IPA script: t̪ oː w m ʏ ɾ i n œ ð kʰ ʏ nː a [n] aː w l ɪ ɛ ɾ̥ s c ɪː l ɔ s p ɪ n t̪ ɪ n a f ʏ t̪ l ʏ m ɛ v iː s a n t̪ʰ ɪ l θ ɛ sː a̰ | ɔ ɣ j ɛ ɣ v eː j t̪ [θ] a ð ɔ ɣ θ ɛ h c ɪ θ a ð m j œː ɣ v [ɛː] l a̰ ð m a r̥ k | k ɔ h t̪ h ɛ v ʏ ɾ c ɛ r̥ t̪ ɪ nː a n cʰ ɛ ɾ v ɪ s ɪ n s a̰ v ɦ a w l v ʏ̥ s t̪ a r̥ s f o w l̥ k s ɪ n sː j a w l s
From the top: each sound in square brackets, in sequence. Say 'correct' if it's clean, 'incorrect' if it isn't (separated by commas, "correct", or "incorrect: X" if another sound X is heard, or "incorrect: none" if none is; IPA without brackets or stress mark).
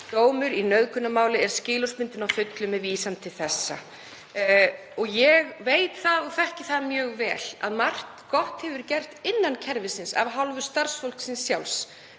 incorrect: m, correct, correct